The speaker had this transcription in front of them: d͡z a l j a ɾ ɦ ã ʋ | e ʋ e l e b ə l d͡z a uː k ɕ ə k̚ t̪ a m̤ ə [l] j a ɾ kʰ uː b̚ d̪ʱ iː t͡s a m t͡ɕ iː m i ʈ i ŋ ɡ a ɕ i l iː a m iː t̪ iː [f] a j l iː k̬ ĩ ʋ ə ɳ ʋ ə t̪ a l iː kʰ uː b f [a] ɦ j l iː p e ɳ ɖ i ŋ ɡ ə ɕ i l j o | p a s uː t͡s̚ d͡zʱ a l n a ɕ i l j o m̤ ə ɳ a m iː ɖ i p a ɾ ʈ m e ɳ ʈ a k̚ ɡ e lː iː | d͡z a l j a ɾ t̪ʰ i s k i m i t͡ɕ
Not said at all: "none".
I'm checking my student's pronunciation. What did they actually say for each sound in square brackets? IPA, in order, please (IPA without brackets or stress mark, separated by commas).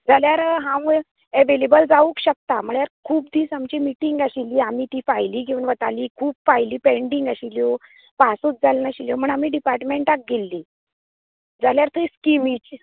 ɭ, f, a